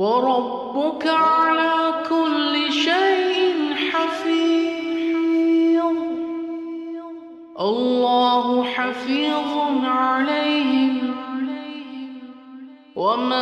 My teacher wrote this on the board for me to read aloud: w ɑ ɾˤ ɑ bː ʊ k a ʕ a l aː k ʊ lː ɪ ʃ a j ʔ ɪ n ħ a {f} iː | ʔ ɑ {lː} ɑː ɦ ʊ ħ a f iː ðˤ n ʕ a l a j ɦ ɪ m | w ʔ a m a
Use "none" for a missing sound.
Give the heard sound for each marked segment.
f, lː

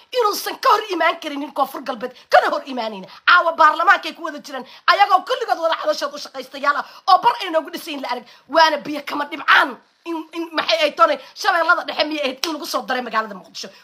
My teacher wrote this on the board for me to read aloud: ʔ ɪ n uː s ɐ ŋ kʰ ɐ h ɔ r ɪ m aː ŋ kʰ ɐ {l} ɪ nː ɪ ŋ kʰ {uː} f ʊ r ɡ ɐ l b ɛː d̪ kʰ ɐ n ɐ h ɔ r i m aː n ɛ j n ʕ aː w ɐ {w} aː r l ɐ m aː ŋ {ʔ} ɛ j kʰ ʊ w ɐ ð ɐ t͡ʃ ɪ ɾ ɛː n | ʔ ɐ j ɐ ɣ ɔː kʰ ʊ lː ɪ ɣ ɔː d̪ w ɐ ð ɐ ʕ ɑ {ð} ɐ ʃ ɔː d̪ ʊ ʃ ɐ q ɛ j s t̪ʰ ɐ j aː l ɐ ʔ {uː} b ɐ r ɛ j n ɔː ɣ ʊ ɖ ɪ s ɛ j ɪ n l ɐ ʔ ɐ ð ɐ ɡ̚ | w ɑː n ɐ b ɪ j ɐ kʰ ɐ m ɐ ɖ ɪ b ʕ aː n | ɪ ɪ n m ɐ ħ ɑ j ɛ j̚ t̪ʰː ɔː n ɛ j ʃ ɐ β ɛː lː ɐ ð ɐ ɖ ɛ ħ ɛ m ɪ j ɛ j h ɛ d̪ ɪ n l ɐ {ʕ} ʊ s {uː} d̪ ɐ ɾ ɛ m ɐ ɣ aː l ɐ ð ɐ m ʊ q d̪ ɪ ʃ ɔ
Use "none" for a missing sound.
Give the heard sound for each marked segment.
ɾ, ɔː, b, k, ð, ɔː, ɣ, ɔː

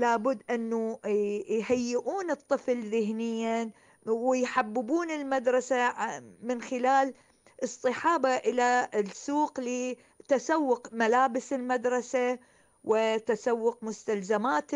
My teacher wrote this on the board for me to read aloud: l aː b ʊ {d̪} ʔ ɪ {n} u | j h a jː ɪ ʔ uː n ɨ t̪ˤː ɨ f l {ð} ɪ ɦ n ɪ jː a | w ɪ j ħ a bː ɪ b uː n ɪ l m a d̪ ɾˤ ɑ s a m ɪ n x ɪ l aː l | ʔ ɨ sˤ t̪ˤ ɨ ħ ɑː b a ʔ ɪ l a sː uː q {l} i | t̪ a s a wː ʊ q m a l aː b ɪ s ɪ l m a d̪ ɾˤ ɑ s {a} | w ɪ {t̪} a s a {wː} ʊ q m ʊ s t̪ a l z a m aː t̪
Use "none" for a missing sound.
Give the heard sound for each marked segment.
d̪ː, nː, ð, l, a, t̪, wː

